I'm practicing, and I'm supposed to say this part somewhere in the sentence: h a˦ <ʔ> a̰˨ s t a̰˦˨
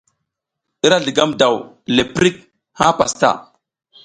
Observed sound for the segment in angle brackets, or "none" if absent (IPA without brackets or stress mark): p